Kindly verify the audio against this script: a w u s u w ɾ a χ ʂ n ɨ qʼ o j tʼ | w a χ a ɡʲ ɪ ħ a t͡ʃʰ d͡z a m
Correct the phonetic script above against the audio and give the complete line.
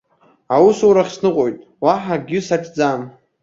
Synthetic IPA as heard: a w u s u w ɾ a χ s n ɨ qʼ o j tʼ | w a ħ a ɡʲ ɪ s a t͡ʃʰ d͡z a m